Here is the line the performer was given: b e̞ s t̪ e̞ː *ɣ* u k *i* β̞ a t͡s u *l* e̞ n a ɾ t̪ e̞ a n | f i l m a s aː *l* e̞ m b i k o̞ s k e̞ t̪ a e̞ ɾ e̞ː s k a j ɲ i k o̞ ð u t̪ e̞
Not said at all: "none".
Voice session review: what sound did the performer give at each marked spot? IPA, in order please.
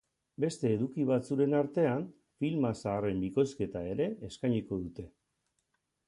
ð, i, ɾ, r

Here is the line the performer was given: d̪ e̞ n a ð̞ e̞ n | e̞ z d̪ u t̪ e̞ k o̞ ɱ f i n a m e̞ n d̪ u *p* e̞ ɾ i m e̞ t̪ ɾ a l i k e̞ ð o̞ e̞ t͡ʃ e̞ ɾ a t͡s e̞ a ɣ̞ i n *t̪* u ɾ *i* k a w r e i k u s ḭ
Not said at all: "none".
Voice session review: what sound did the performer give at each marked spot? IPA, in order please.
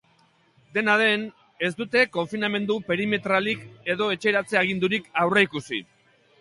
p, d̪, i

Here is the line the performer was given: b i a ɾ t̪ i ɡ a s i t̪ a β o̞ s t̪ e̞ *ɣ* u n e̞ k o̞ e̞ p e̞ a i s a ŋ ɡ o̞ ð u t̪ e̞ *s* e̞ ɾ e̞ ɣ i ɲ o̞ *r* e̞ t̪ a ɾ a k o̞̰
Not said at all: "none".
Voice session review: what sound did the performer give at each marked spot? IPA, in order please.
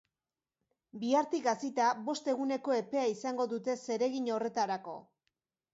ɣ, s, r

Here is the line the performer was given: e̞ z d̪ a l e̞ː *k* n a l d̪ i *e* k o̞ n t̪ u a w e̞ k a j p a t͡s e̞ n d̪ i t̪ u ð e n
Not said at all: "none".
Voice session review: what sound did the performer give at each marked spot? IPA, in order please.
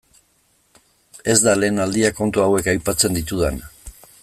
none, a

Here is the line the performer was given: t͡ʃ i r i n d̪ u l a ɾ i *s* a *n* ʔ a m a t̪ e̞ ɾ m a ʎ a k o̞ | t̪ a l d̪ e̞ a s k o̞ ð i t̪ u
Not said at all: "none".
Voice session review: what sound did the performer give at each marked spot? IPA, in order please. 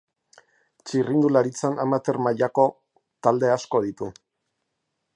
t͡s, n

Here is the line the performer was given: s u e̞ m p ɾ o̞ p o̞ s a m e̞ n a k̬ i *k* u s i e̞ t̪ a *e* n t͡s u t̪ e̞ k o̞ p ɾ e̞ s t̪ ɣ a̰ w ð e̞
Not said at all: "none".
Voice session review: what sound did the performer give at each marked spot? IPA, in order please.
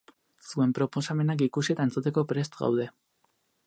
k, e

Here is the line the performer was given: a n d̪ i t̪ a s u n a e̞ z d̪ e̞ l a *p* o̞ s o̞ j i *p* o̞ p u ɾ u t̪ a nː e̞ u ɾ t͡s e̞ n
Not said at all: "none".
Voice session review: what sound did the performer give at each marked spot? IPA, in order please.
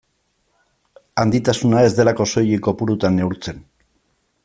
k, k

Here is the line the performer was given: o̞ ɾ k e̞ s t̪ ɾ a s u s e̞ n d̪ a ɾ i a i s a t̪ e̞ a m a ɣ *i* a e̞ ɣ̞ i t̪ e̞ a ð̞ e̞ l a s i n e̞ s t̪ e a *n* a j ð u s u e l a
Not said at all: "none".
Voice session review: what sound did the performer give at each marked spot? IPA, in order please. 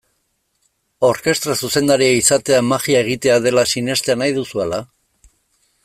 i, n

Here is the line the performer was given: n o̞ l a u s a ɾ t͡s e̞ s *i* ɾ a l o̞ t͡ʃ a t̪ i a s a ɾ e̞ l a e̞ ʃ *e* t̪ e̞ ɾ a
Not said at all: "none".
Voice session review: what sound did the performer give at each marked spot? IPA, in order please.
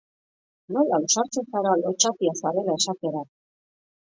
a, a

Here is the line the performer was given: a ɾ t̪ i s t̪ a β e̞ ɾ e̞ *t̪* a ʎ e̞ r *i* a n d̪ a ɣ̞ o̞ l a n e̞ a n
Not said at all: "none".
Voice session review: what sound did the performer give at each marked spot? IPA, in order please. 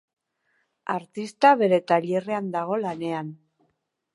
t̪, e

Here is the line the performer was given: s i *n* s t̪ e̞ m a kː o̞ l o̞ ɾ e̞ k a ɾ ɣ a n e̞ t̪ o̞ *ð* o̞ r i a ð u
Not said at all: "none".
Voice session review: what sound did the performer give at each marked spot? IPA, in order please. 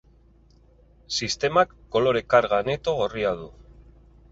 none, ɣ

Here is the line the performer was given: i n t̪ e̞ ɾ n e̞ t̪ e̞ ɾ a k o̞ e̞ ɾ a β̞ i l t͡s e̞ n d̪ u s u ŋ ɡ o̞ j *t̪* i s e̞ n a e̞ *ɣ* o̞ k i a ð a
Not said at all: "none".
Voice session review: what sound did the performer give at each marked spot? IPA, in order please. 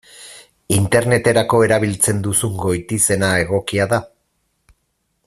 t̪, ɣ

